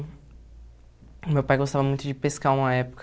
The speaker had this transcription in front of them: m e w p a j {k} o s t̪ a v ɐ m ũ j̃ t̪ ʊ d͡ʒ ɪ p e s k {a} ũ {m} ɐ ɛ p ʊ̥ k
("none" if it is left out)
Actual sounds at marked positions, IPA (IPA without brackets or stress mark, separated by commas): ɡ, a, m